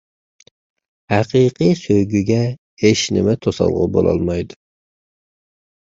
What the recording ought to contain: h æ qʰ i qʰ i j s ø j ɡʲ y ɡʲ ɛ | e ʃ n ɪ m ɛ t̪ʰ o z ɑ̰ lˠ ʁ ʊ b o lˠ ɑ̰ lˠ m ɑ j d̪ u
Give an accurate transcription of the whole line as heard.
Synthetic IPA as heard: h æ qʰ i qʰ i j s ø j ɡʲ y ɡʲ ɛ | e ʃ n ɪ m ɛ t̪ʰ o s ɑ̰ lˠ ʁ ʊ b o lˠ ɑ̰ lˠ m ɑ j d̪ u